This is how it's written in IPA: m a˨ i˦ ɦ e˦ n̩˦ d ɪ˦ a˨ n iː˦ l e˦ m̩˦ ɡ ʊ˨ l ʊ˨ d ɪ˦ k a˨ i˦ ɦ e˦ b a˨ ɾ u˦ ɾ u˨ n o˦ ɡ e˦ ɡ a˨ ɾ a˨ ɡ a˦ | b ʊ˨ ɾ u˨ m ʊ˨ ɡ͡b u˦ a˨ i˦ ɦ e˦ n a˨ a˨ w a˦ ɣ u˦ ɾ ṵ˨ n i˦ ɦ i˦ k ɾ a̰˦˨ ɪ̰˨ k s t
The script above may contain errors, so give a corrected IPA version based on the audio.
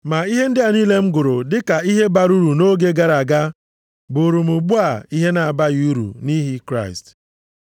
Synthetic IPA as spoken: m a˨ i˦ ɦ e˦ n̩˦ d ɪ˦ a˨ n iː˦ l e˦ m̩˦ ɡ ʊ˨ ɾ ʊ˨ d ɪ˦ k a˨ i˦ ɦ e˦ b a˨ ɾ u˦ ɾ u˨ n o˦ ɡ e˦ ɡ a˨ ɾ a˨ ɡ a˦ | b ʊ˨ ɾ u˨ m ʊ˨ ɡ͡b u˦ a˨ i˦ ɦ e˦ n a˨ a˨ b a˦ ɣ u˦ ɾ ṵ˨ n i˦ ɦ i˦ k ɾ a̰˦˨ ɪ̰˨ s t